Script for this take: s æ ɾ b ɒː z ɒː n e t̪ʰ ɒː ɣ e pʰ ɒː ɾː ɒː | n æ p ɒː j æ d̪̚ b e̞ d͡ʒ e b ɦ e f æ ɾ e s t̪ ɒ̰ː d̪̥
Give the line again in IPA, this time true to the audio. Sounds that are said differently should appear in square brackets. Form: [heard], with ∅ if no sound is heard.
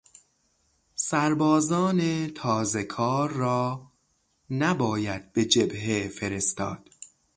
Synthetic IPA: s æ ɾ b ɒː z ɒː n e t̪ʰ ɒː [z] e [kʰ] ɒː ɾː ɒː | n æ [b] ɒː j æ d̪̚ b e̞ d͡ʒ e b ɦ e f [e] ɾ e s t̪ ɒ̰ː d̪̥